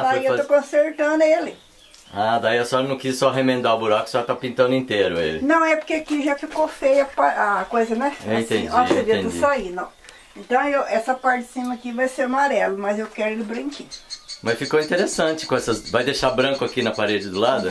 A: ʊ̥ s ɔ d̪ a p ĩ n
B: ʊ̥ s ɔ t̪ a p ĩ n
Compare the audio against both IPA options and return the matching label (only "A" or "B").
B